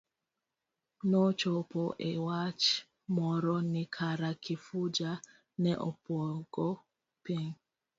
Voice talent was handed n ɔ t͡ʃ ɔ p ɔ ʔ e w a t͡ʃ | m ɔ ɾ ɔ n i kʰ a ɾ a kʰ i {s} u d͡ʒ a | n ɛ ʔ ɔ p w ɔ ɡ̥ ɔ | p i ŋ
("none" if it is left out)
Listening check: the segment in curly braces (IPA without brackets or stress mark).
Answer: f